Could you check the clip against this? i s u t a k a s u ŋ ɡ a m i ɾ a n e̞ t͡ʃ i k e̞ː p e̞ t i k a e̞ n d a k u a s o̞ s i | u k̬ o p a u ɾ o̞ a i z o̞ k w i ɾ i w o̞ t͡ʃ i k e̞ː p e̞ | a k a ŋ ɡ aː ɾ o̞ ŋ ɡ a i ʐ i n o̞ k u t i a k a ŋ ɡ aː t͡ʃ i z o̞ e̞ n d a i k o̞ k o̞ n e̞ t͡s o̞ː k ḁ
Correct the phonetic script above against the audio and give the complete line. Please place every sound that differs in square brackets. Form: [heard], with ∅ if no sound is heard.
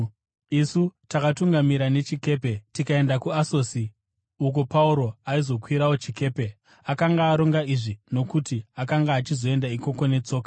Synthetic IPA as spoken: i s u t a k a [t] u ŋ ɡ a m i ɾ a n e̞ t͡ʃ i k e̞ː p e̞ t i k a e̞ n d a k u a s o̞ s i | u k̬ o p a u ɾ o̞ a i z o̞ k w i ɾ [a] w o̞ t͡ʃ i k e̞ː p e̞ | a k a ŋ ɡ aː ɾ o̞ ŋ ɡ a i ʐ i n o̞ k u t i a k a ŋ ɡ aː t͡ʃ i z o̞ e̞ n d a i k o̞ k o̞ n e̞ t͡s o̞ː k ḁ